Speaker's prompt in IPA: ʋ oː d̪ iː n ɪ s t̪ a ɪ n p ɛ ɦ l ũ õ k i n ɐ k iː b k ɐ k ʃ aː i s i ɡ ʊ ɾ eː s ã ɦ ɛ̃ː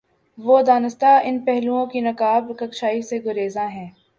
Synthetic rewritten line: ʋ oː d̪ aː n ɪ s t̪ a ɪ n p ɛ ɦ l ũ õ k i n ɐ k aː b k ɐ k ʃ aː i s e ɡ ʊ ɾ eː z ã ɦ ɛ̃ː